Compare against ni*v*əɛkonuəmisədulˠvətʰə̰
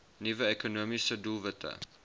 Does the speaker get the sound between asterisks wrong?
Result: no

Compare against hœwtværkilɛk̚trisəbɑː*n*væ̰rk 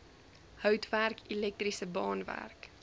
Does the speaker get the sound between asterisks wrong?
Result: no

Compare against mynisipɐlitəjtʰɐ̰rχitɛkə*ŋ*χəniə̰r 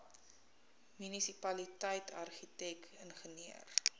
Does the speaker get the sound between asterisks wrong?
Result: yes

